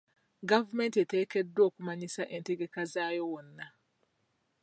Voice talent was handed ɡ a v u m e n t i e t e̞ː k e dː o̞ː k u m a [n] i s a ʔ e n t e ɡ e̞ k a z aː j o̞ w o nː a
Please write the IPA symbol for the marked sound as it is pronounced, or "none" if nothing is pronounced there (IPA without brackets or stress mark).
ɲ